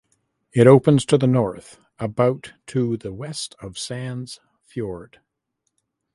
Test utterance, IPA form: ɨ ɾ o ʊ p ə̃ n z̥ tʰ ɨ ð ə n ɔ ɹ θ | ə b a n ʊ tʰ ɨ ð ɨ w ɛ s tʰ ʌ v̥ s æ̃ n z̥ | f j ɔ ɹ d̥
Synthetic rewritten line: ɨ ɾ o ʊ p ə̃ n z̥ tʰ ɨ ð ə n ɔ ɹ θ | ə b a ʊ tʰ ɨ ð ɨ w ɛ s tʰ ʌ v̥ s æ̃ n z̥ | f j ɔ ɹ d̥